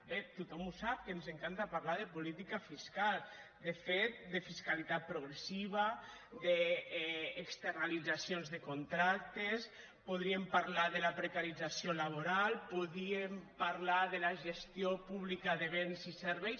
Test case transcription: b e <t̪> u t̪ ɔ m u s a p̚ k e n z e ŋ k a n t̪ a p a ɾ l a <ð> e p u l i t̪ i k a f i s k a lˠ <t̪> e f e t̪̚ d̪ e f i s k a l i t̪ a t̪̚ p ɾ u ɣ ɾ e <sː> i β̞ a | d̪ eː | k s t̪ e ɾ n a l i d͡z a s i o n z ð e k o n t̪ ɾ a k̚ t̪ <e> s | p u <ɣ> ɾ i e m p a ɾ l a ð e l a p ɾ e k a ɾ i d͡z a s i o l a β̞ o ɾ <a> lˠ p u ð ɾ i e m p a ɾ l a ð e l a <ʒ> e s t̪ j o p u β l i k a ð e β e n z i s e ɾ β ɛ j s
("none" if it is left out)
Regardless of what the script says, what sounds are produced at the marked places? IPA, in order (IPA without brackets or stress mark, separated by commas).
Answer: t̪, ð, d̪, s, e, ð, a, ʒ